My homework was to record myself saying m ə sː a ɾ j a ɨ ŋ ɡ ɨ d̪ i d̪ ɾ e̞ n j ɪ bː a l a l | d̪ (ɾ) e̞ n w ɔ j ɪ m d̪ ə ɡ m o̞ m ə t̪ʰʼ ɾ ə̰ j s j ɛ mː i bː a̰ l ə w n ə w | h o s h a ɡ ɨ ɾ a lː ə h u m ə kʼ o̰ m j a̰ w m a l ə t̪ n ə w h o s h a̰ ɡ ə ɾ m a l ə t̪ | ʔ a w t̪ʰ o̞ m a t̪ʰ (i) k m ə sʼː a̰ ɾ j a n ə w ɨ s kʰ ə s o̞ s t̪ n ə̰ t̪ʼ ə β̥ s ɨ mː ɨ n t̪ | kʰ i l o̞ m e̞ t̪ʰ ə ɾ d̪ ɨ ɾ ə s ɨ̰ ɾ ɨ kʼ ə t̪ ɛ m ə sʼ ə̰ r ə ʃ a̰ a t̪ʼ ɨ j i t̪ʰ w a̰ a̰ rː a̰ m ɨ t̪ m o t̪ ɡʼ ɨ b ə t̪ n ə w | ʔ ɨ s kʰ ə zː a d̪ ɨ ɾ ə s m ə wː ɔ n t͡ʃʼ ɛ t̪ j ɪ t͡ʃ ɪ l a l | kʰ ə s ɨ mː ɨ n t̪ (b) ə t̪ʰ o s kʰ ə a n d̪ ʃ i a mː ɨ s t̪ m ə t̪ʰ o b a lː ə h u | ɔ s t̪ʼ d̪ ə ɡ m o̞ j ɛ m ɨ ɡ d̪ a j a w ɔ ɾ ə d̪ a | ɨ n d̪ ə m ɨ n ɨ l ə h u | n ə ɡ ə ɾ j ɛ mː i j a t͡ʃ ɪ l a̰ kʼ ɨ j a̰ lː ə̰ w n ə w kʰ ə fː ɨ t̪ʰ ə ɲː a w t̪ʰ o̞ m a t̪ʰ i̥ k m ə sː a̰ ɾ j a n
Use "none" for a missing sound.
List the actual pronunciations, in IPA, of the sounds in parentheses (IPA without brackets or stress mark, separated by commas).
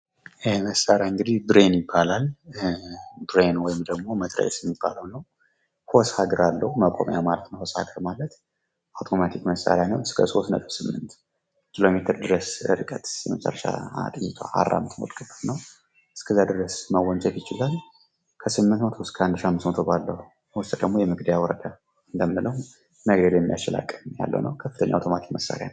ɾ, i, m